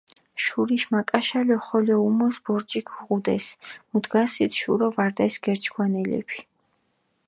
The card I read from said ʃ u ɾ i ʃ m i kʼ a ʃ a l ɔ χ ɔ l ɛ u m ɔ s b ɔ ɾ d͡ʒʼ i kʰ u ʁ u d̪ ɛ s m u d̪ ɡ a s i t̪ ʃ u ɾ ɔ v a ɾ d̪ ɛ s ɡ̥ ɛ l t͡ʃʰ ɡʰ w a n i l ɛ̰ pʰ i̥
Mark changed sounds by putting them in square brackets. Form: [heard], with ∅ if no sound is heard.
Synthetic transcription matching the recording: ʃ u ɾ i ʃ m [a] kʼ a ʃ a l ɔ χ ɔ l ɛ u m ɔ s b ɔ ɾ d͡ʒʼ i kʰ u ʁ u d̪ ɛ s m u d̪ ɡ a s i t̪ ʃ u ɾ ɔ v a ɾ d̪ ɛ s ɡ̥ ɛ [ɾ] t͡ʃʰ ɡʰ w a n [ɛ] l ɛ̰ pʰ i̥